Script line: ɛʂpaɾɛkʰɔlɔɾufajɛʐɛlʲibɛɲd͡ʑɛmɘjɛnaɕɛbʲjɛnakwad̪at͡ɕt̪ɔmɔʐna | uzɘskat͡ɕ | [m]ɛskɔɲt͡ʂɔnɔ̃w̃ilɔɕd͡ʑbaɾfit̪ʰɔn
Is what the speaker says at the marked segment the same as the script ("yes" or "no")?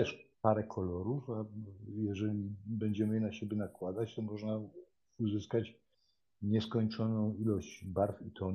no